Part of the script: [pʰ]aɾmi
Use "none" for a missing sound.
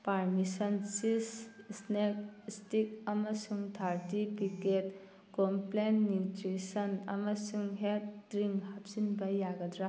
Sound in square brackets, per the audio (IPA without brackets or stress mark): p